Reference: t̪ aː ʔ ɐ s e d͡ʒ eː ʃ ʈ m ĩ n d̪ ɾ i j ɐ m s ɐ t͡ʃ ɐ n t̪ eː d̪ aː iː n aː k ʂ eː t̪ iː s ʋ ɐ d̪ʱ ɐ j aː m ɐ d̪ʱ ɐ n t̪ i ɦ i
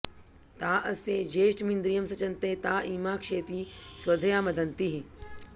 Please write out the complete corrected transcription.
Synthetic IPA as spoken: t̪ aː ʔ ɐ s e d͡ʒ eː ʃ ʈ m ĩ n d̪ ɾ i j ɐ m s ɐ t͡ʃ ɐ n t̪ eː t̪ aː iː m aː k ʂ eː t̪ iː s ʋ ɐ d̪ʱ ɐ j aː m ɐ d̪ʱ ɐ n t̪ i ɦ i